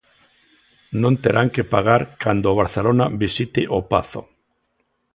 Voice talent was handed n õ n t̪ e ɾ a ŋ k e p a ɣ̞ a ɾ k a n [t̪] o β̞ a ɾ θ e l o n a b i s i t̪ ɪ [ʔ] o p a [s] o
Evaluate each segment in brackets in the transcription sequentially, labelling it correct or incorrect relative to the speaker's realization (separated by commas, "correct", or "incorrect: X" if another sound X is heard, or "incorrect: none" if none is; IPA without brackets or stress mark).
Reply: incorrect: d̪, correct, incorrect: θ